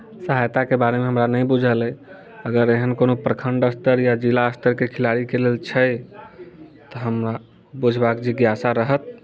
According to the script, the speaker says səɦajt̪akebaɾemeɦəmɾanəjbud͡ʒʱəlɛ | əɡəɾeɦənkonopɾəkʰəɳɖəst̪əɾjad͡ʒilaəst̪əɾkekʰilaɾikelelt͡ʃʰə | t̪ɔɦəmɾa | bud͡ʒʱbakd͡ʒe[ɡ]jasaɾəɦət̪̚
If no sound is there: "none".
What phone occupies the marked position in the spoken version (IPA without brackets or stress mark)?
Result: ɡ